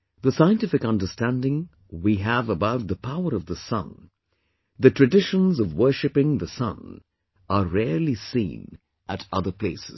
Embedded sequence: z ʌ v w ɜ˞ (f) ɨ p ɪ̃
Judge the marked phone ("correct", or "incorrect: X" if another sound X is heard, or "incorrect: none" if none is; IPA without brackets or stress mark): incorrect: ʃ